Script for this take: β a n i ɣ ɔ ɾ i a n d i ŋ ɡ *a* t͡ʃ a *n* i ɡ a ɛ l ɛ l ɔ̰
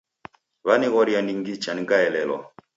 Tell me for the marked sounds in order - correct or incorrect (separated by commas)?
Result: incorrect, correct